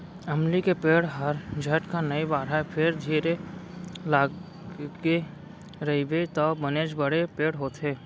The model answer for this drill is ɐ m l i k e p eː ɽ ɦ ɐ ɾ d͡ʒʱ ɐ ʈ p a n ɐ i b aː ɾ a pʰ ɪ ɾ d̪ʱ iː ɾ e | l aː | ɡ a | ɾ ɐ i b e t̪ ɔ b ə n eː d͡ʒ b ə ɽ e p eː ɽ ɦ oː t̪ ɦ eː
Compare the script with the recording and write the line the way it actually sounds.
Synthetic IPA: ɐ m l i k e p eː ɽ ɦ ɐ ɾ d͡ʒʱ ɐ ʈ k a n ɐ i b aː ɾ a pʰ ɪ ɾ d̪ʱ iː ɾ e | l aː | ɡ e | ɾ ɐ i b e t̪ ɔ b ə n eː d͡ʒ b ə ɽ e p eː ɽ ɦ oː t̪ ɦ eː

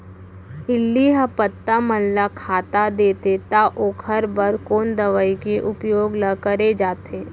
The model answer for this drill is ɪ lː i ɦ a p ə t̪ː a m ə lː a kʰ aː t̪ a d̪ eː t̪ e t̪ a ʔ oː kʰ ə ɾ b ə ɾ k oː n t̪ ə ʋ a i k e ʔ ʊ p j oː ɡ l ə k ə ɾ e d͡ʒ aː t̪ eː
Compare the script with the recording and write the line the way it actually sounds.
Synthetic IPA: ɪ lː i ɦ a p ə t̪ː a m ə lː a kʰ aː t̪ a d̪ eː t̪ e t̪ a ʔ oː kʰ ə ɾ b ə ɾ k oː n d̪ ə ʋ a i k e ʔ ʊ p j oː ɡ l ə k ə ɾ e d͡ʒ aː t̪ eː

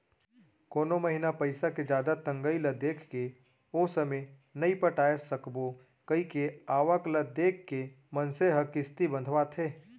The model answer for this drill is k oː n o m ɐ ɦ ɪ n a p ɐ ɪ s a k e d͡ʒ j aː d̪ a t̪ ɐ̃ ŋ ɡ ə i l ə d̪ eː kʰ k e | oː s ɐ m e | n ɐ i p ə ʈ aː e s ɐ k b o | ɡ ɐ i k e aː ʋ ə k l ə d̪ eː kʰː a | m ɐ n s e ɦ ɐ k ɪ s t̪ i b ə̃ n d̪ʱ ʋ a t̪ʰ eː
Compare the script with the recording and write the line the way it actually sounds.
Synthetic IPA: k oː n o m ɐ ɦ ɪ n a p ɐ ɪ s a k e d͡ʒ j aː d̪ a t̪ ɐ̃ ŋ ɡ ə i l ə d̪ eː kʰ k e | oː s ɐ m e | n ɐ i p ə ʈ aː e s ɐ k b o | k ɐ i k e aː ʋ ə k l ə d̪ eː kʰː e | m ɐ n s e ɦ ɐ k ɪ s t̪ i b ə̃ n d̪ʱ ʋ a t̪ʰ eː

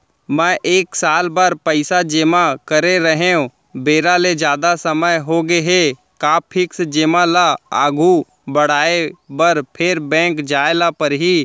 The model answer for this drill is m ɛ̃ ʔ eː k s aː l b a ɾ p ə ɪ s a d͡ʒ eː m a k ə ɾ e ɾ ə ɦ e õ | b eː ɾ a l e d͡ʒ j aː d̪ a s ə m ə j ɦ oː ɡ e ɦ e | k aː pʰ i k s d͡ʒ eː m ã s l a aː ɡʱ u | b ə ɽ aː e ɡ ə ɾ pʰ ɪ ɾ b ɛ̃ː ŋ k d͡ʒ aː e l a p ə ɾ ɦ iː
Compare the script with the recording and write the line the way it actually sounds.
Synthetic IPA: m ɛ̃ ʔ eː k s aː l b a ɾ p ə ɪ s a d͡ʒ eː m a k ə ɾ e ɾ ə ɦ e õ | b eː ɾ a l e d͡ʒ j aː d̪ a s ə m ə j ɦ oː ɡ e ɦ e | k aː pʰ ɪ k s d͡ʒ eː m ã l a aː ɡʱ u | b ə ɽ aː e b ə ɾ pʰ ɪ ɾ b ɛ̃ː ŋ k d͡ʒ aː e l a p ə ɾ ɦ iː

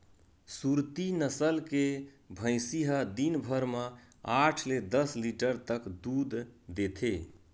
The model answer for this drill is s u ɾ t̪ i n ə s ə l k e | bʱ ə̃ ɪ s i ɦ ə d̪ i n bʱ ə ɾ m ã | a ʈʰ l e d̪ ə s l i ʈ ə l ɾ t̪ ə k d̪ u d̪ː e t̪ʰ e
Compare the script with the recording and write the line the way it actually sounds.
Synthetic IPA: s u ɾ t̪ i n ə s ə l k e | bʱ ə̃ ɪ s i ɦ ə d̪ i n bʱ ə ɾ m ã | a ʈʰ l e d̪ ə s l i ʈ ə ɾ t̪ ə k d̪ u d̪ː e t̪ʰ e

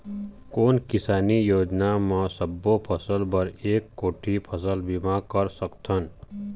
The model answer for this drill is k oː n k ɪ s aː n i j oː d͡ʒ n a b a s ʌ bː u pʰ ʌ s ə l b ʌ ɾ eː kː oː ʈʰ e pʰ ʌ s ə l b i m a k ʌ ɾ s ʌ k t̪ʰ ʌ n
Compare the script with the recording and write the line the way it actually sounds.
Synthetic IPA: k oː n k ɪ s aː n i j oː d͡ʒ n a m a s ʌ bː o pʰ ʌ s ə l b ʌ ɾ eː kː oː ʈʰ i pʰ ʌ s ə l b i m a k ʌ ɾ s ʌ k t̪ʰ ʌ n

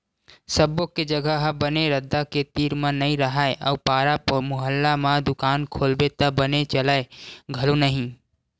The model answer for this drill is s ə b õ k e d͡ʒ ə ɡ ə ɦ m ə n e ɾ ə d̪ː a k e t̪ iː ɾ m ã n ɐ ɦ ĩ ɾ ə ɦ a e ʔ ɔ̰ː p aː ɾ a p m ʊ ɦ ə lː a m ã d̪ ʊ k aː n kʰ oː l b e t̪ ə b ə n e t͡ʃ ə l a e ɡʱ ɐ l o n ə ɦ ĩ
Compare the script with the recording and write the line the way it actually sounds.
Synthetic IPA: s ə b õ k e d͡ʒ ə ɡ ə ɦ b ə n e ɾ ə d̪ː a k e t̪ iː ɾ m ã n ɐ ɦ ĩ ɾ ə ɦ a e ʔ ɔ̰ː p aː ɾ a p m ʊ ɦ ə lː a m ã d̪ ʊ k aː n kʰ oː l b e t̪ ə b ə n e t͡ʃ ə l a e ɡʱ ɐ l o n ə ɦ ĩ

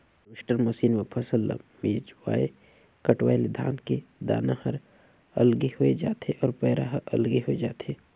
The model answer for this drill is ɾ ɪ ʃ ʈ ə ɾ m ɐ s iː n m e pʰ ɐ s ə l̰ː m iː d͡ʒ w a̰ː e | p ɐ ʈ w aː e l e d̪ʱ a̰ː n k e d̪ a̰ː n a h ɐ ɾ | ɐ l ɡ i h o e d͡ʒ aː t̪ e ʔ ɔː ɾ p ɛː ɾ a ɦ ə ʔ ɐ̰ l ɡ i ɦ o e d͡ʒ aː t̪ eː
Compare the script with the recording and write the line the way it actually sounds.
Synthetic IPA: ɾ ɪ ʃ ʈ ə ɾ m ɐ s iː n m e pʰ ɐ s ə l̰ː m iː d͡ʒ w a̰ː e | k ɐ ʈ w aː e l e d̪ʱ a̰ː n k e d̪ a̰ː n a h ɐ ɾ | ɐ l ɡ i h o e d͡ʒ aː t̪ e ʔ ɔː ɾ p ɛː ɾ a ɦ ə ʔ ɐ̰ l ɡ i ɦ o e d͡ʒ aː t̪ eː

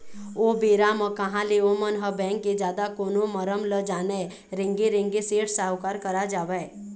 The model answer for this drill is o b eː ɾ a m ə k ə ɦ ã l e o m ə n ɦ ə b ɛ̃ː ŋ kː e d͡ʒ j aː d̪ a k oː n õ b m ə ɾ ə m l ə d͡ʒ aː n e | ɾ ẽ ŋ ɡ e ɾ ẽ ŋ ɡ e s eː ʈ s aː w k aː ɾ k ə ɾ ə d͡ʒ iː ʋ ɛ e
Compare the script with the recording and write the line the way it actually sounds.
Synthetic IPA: o b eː ɾ a m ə k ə ɦ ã l e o m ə n ɦ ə b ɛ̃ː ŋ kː e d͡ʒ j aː d̪ a k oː n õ m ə ɾ ə m l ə d͡ʒ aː n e | ɾ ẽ ŋ ɡ e ɾ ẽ ŋ ɡ e s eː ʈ s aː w k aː ɾ k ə ɾ a d͡ʒ aː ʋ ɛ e

